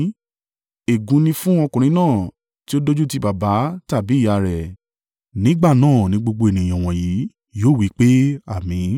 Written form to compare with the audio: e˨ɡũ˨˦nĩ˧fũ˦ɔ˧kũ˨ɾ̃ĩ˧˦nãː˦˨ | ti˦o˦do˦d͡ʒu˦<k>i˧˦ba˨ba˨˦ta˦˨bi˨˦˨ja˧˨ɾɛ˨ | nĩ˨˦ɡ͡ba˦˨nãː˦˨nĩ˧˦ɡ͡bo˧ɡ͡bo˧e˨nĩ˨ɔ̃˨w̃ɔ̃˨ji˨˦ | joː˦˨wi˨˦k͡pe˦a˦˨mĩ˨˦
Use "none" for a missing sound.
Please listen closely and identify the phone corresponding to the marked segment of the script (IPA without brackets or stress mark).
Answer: t